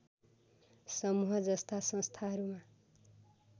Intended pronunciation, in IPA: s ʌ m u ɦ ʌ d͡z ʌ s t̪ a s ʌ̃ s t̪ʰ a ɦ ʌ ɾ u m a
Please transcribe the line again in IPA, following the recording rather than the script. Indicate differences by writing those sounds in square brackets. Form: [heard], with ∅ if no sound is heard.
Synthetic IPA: s ʌ m u ɦ ʌ d͡z ʌ s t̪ a s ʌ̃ s t̪ʰ a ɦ ʌ ɾ u m a